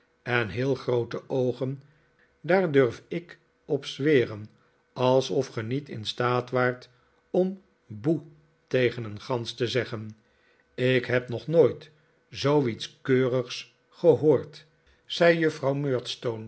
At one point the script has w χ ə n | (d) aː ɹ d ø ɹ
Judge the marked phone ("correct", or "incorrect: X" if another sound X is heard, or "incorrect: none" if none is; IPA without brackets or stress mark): correct